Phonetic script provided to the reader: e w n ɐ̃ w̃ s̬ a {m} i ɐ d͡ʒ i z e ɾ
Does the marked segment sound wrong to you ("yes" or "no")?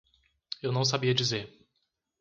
yes